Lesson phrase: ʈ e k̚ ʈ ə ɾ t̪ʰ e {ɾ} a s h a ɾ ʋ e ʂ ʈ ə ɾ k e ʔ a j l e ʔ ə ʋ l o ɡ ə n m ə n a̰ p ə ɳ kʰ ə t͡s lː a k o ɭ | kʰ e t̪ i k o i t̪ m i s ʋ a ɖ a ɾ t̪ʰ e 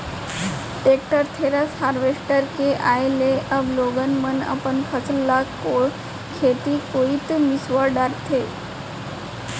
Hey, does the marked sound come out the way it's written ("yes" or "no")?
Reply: yes